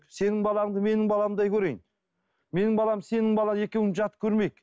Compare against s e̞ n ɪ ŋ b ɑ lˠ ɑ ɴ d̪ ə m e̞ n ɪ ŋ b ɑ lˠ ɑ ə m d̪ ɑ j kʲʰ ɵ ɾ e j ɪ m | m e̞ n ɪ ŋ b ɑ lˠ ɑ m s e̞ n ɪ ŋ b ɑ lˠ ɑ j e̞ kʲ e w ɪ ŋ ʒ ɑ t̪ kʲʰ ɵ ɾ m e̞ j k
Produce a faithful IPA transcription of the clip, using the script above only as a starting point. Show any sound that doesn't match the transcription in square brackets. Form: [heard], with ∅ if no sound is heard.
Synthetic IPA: s e̞ n ɪ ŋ b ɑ lˠ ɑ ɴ d̪ ə m e̞ n ɪ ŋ b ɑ lˠ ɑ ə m d̪ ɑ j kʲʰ ɵ ɾ e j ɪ [n] | m e̞ n ɪ ŋ b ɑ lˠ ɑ m s e̞ n ɪ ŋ b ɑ lˠ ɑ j e̞ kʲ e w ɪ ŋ ʒ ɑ t̪ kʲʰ ɵ ɾ m e̞ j k